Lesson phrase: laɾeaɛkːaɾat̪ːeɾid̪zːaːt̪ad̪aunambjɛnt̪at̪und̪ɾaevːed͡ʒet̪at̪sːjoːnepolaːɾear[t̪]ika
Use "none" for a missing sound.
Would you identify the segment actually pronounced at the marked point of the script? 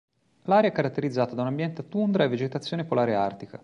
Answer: t̪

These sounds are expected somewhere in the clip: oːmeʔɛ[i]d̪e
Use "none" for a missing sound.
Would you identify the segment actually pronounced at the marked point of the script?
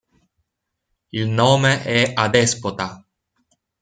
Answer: a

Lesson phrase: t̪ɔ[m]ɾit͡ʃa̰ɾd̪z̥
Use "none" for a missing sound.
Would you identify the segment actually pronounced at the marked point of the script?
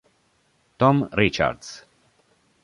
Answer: m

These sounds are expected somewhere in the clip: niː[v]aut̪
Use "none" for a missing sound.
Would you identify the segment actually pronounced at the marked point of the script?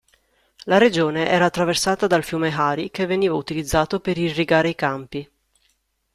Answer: v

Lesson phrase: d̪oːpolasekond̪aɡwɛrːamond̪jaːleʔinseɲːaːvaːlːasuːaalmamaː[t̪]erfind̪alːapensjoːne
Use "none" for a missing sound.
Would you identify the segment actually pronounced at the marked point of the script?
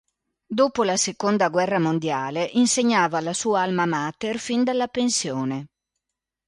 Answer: t̪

